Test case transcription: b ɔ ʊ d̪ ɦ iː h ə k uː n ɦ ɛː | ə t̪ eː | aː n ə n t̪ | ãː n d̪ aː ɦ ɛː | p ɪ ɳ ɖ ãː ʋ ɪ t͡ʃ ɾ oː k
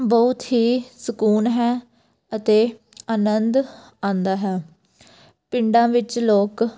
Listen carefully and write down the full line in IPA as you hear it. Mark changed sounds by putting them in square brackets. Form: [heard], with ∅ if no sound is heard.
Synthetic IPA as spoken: b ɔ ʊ [t̪] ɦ iː [s] ə k uː n ɦ ɛː | ə t̪ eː | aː n ə n [d̪] | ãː n d̪ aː ɦ ɛː | p ɪ ɳ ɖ ãː ʋ ɪ t͡ʃ [l] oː k